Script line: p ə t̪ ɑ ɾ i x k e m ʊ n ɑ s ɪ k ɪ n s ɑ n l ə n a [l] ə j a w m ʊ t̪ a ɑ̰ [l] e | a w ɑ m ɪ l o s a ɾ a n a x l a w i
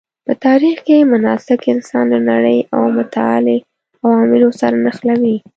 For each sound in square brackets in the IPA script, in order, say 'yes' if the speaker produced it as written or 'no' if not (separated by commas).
no, yes